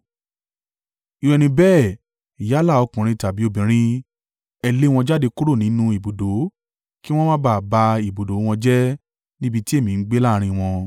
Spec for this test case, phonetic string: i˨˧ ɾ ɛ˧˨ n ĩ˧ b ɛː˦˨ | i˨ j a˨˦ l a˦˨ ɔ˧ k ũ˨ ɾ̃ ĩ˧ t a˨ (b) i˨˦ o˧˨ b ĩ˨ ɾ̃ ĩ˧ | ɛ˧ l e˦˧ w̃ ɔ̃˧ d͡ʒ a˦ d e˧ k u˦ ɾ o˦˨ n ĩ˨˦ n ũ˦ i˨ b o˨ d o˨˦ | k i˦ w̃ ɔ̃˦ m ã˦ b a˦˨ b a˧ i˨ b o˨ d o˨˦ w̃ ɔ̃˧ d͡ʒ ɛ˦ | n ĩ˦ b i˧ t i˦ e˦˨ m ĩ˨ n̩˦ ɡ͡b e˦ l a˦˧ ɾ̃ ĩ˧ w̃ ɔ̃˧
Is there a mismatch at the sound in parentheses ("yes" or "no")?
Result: no